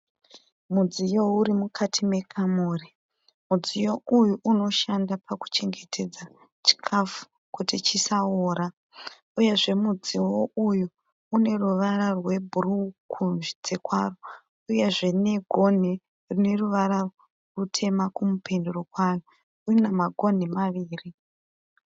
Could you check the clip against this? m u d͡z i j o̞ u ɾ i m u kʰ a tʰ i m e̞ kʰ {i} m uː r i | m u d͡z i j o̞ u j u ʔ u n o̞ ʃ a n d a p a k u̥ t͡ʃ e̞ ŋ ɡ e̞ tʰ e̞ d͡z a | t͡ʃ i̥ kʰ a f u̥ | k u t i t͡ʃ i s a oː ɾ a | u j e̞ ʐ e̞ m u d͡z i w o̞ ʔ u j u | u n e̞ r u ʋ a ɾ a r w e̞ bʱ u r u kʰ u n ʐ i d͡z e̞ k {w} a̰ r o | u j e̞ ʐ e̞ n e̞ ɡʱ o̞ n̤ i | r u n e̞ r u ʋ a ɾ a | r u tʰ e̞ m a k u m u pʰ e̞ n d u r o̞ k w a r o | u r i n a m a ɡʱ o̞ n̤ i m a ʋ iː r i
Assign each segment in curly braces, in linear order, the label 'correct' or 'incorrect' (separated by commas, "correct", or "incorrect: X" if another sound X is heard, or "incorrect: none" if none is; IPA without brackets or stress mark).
incorrect: a, correct